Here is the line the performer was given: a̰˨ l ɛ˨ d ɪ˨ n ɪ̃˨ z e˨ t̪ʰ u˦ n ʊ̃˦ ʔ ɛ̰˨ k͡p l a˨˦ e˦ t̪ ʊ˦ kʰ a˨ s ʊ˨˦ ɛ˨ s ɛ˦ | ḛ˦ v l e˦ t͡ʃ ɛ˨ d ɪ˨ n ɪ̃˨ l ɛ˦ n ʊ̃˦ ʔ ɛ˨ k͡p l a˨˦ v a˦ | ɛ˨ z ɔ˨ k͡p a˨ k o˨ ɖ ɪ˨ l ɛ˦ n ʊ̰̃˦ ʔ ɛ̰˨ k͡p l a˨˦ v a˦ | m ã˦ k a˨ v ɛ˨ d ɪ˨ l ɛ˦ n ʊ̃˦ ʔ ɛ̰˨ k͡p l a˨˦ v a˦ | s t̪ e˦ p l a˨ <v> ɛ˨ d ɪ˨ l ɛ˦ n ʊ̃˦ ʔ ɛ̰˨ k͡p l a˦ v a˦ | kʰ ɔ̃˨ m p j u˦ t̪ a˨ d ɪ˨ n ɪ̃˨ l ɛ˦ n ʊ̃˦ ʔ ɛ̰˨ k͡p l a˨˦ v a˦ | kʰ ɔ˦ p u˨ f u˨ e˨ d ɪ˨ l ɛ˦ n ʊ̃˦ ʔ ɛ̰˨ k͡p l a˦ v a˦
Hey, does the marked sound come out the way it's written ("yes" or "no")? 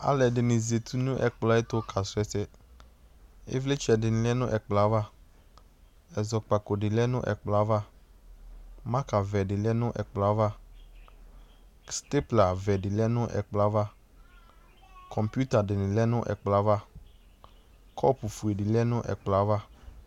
yes